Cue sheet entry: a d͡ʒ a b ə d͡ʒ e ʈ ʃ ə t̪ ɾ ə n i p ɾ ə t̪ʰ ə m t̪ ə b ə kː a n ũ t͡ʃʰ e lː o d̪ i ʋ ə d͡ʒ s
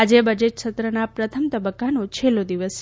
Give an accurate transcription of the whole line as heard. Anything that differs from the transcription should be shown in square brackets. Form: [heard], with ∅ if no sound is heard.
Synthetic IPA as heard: a d͡ʒ [e] b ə d͡ʒ e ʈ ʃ ə t̪ ɾ ə n [a] p ɾ ə t̪ʰ ə m t̪ ə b ə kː a n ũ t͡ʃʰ e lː o d̪ i ʋ ə [∅] s